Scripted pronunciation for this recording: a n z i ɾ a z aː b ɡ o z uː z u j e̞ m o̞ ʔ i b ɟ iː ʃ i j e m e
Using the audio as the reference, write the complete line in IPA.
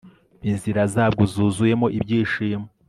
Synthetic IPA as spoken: i n z i ɾ a z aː b ɡ o z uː z u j e̞ m o̞ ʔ i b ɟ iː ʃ i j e m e